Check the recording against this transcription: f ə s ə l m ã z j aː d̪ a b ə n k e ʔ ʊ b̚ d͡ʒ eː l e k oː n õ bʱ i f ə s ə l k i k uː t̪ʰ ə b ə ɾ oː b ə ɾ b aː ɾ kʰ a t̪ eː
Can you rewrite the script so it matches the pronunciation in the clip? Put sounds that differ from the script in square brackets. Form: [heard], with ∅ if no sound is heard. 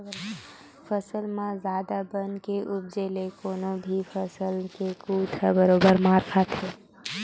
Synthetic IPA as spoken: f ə s ə l m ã z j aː d̪ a b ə n k e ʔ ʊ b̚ d͡ʒ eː l e k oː n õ bʱ i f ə s ə l k [e] k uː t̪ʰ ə b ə ɾ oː b ə ɾ [m] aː ɾ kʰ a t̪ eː

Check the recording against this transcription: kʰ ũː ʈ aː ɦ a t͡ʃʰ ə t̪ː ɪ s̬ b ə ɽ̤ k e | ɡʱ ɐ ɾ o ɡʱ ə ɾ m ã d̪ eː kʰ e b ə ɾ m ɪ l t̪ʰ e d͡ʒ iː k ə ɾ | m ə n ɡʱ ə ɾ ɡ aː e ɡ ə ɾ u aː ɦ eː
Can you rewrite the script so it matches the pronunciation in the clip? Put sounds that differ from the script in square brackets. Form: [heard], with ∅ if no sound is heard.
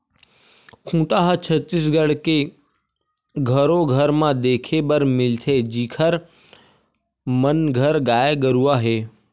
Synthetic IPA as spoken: kʰ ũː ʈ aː ɦ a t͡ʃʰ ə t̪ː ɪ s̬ [ɡ] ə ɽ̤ k e | ɡʱ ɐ ɾ o ɡʱ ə ɾ m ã d̪ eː kʰ e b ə ɾ m ɪ l t̪ʰ e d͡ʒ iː [kʰ] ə ɾ | m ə n ɡʱ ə ɾ ɡ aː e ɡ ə ɾ u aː ɦ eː

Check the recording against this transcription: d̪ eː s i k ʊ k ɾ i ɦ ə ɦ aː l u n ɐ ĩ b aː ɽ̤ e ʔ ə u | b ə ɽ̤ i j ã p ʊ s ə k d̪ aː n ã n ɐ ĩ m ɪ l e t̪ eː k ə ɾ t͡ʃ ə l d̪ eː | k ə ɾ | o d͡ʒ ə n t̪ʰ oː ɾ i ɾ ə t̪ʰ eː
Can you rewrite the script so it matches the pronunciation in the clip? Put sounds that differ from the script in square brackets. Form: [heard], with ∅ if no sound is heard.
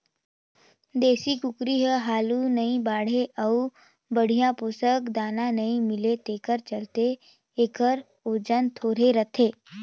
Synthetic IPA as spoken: d̪ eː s i k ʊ k ɾ i ɦ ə ɦ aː l u n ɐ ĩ b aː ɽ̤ e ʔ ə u | b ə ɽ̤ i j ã p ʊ s ə k d̪ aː n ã n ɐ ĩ m ɪ l e t̪ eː k ə ɾ t͡ʃ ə l [t̪] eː | k ə ɾ | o d͡ʒ ə n t̪ʰ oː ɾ [e] ɾ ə t̪ʰ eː

